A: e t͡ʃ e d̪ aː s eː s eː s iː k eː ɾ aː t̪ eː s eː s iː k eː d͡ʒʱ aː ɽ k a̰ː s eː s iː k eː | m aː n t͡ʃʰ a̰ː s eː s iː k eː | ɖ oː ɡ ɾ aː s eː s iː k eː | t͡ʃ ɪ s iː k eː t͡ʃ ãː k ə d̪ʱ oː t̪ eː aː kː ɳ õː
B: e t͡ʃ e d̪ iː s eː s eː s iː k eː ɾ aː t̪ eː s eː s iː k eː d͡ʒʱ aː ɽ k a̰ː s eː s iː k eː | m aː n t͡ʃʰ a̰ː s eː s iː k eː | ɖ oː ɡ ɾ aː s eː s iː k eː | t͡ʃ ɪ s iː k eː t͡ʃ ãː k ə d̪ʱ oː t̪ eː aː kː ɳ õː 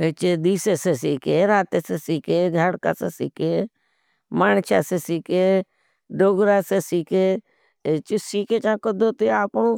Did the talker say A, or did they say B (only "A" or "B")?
B